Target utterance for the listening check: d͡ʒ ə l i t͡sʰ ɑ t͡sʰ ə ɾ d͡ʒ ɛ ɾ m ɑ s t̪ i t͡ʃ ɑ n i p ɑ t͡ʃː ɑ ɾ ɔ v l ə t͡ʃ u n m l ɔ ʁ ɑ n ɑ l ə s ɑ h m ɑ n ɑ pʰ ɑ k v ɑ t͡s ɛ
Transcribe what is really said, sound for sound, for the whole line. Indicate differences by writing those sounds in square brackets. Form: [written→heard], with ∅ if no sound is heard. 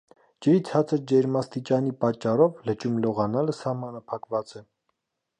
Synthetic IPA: d͡ʒ ə [l→ɾ] i t͡sʰ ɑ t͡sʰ ə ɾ d͡ʒ ɛ ɾ m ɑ s t̪ i t͡ʃ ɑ n i p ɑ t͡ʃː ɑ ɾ ɔ v l ə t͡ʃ u [n→∅] m l ɔ ʁ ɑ n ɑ l ə s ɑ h m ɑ n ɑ pʰ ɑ k v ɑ t͡s ɛ